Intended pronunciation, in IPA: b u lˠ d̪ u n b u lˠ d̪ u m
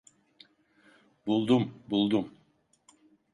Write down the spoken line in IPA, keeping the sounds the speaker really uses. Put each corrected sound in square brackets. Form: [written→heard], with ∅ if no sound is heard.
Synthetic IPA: b u lˠ d̪ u [n→m] b u lˠ d̪ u m